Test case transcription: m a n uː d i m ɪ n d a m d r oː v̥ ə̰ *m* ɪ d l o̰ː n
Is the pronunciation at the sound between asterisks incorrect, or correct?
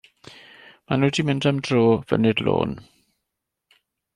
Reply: incorrect